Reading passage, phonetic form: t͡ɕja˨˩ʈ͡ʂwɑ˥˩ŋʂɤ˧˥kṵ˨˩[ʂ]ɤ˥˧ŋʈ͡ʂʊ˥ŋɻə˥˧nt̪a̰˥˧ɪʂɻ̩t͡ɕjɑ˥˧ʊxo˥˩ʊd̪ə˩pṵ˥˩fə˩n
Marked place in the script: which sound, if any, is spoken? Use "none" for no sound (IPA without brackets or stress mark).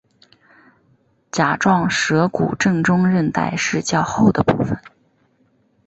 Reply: ʈ͡ʂ